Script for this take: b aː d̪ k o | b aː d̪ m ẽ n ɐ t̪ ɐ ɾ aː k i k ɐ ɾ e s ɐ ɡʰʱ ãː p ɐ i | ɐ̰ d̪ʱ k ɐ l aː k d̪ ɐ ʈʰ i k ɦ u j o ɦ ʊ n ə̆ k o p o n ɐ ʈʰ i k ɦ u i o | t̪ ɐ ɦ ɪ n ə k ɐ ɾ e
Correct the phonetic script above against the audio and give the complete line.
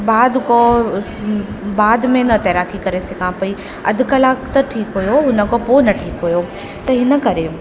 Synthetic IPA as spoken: b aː d̪ k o | b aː d̪ m ẽ n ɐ t̪ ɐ ɾ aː k i k ɐ ɾ e s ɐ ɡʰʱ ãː p ɐ i | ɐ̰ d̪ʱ k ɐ l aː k t̪ ɐ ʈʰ iː k ɦ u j o ɦ ʊ n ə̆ k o p o n ɐ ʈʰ iː k ɦ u j o | t̪ ɐ ɦ ɪ n ə k ɐ ɾ e